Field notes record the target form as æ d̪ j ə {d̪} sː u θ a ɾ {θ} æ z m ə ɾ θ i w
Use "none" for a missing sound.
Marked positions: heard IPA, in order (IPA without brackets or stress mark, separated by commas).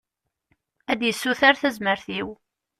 none, θ